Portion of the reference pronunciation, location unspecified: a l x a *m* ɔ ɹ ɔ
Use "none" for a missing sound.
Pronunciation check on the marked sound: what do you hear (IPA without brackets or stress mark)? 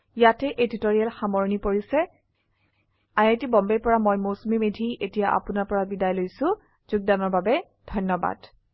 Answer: m